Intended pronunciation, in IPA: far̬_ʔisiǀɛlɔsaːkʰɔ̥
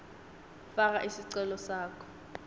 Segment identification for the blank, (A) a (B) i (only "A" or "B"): A